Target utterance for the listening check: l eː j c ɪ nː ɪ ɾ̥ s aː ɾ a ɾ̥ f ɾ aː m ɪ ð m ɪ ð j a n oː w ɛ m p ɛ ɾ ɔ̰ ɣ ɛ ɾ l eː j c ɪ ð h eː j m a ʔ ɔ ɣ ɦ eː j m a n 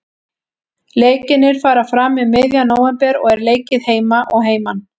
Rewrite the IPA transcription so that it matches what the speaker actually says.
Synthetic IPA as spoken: l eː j c ɪ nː ɪ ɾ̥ f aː ɾ a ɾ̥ f ɾ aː m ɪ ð m ɪ ð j a n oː w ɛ m p ɛ ɾ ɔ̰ ɣ ɛ ɾ l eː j c ɪ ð h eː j m a ʔ ɔ ɣ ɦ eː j m a n

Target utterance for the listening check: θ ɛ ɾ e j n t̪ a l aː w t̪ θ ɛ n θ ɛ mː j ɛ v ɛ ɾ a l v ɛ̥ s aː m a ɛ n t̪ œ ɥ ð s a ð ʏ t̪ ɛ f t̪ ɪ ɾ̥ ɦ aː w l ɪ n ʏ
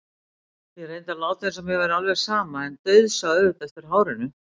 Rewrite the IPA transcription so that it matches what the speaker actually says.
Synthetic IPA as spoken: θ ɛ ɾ e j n t̪ a l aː w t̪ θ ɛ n s ɛ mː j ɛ v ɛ ɾ a l v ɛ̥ s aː m a ɛ n t̪ œ ɥ ð s a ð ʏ t̪ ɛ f t̪ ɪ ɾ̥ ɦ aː w ɾ ɪ n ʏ

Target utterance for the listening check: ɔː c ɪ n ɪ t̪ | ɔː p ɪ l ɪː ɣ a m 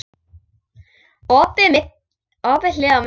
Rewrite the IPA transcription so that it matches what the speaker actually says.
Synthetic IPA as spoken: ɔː p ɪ m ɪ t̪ | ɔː p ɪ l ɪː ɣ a m

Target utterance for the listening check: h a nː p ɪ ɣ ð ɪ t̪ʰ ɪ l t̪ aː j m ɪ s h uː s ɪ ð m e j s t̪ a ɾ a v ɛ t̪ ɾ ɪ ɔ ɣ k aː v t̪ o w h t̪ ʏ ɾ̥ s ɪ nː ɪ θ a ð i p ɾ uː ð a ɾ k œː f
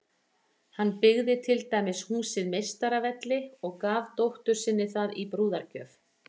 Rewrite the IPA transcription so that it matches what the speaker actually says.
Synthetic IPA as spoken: h a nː p ɪ ɣ ð ɪ t̪ʰ ɪ l t̪ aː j m ɪ s h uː s ɪ ð m e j s t̪ a ɾ a v ɛ t̪ l ɪ ɔ ɣ k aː v t̪ o w h t̪ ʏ ɾ̥ s ɪ nː ɪ θ a ð i p ɾ uː ð a ɾ c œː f

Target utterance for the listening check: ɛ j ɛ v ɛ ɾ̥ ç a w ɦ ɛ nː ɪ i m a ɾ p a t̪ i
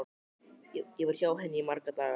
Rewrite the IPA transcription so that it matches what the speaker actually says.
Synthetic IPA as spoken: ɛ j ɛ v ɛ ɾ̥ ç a w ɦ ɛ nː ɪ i m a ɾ k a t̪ a

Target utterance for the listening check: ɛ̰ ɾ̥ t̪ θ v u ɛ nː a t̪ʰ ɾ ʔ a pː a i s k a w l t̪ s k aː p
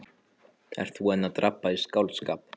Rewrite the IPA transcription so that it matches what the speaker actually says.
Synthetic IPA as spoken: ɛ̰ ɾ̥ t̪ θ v u ɛ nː a t̪ ɾ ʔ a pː a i s k a w l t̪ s k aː p

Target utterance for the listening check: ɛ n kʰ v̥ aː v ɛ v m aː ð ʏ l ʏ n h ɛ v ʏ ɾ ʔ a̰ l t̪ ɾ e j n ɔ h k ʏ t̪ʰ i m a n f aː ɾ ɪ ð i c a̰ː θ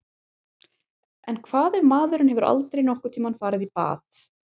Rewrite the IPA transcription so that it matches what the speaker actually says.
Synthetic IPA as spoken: ɛ n kʰ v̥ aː ð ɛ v m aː ð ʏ ɾ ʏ n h ɛ v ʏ ɾ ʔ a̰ l t̪ ɾ e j n ɔ h k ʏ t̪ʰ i m a n f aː ɾ ɪ ð i p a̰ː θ

